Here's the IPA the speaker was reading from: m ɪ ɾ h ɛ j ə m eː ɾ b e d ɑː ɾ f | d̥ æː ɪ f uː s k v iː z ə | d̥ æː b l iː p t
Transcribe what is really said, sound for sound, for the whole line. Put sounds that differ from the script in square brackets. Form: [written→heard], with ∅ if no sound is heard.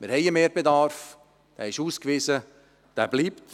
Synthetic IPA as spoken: m ɪ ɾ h ɛ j ə m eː ɾ b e d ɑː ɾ f | d̥ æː ɪ [f→ʃ] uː s k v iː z ə | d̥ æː b l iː p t